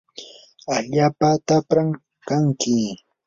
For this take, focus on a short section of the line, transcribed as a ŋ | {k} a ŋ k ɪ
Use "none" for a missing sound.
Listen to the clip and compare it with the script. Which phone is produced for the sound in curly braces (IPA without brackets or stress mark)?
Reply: k